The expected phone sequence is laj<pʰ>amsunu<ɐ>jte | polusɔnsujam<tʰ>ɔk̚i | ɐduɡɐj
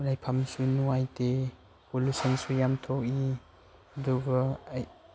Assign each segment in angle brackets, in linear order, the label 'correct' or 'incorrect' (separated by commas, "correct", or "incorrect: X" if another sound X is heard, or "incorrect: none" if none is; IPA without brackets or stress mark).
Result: correct, incorrect: a, correct